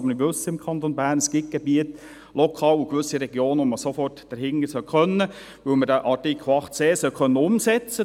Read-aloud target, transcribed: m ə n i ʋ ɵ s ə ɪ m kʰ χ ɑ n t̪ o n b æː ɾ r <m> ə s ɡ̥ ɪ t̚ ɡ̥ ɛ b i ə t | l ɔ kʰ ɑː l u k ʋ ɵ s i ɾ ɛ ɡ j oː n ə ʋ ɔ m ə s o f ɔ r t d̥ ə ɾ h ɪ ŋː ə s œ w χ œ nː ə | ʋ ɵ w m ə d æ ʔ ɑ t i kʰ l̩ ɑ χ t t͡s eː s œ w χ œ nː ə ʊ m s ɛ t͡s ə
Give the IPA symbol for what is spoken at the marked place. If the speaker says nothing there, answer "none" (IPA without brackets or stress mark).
n